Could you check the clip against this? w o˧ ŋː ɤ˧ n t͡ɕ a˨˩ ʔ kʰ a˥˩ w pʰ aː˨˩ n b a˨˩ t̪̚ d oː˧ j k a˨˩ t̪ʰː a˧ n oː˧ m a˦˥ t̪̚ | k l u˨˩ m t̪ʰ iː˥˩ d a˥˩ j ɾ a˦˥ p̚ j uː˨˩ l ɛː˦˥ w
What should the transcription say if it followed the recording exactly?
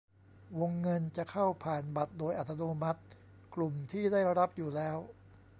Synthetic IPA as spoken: w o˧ ŋː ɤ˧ n t͡ɕ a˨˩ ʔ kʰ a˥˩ w pʰ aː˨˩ n b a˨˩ t̪̚ d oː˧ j ʔ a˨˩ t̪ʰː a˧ n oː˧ m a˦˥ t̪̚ | k l u˨˩ m t̪ʰ iː˥˩ d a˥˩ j ɾ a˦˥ p̚ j uː˨˩ l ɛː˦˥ w